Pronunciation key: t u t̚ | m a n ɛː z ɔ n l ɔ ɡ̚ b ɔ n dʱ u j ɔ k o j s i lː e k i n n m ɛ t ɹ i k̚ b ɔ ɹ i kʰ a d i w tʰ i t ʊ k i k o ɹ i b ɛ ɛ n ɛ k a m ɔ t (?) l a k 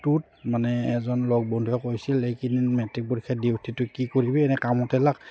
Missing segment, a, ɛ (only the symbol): ɛ